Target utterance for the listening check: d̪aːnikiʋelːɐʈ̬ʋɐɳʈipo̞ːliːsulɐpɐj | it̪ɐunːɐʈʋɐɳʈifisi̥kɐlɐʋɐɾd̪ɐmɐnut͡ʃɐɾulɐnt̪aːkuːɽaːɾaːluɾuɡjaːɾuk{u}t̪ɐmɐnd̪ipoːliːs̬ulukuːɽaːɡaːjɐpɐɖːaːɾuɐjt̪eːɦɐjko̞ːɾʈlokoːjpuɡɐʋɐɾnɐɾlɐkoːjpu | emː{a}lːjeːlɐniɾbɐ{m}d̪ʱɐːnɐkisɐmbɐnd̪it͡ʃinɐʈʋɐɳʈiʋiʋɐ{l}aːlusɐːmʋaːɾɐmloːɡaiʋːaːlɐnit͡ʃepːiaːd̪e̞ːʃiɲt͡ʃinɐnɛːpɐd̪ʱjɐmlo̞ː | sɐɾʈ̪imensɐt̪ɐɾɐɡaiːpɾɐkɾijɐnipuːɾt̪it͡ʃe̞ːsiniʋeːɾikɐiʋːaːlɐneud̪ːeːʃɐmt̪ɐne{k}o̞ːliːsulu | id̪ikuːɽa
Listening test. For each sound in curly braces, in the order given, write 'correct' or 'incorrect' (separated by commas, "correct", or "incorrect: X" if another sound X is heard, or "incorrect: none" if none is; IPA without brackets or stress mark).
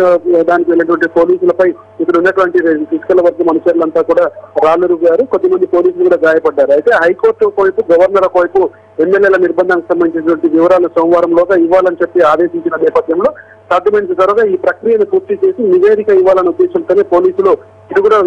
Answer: incorrect: o, incorrect: e, incorrect: n, incorrect: ɾ, incorrect: p